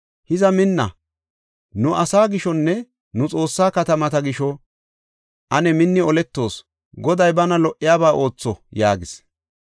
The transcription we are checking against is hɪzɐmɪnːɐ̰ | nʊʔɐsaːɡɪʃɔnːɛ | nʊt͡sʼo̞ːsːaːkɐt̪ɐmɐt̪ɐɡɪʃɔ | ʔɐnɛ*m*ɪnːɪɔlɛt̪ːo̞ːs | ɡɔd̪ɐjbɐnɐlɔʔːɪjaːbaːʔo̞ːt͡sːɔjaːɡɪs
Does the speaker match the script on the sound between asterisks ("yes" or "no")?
yes